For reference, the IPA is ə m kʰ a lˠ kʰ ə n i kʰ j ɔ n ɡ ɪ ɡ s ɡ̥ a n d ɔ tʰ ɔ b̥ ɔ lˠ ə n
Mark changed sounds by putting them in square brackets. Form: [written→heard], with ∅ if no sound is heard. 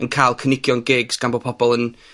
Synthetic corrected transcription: ə [m→n] kʰ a lˠ kʰ ə n [i→ɪ] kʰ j ɔ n ɡ ɪ ɡ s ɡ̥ a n [d→b] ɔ [tʰ→pʰ] ɔ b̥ ɔ lˠ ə n